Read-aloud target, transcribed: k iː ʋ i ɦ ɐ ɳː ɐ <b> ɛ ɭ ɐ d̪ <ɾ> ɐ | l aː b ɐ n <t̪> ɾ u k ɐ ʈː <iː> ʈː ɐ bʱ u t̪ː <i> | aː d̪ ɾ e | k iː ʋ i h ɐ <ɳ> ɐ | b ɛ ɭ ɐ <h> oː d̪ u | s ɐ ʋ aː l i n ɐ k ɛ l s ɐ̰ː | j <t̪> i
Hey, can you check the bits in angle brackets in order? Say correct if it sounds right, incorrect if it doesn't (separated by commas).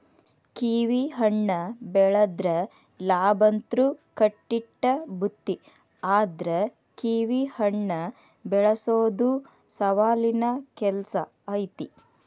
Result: correct, correct, correct, incorrect, correct, incorrect, incorrect, correct